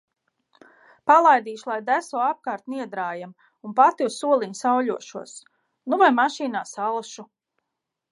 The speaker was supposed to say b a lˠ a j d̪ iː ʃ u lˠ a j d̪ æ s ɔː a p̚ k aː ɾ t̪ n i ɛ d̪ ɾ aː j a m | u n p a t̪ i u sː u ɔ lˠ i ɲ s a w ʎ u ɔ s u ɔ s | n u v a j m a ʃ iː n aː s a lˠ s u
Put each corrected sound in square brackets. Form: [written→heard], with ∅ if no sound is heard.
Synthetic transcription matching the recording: [b→p] a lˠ a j d̪ iː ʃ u lˠ a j d̪ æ s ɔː a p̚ k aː ɾ t̪ n i ɛ d̪ ɾ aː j a m | u n p a t̪ i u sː u ɔ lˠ i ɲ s a w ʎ u ɔ [s→ʃ] u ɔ s | n u v a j m a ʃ iː n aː s a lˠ [s→ʃ] u